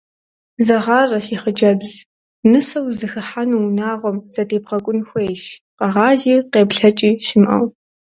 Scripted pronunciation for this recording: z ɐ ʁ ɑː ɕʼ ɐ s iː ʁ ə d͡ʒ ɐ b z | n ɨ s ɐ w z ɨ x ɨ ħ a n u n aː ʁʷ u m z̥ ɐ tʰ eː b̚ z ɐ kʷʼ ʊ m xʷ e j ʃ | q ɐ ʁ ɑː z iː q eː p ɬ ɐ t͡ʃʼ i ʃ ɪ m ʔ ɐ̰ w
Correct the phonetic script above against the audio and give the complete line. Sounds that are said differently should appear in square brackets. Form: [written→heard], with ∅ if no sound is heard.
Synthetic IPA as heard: z ɐ ʁ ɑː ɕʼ ɐ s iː [ʁ→χ] ə d͡ʒ ɐ b z | n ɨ s ɐ w z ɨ x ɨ ħ a n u n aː ʁʷ [u→ɔ] m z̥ ɐ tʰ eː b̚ [z→ʁ] ɐ kʷʼ ʊ [m→n] xʷ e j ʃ | q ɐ ʁ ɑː z iː q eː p ɬ ɐ t͡ʃʼ [i→iː] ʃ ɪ m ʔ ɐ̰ w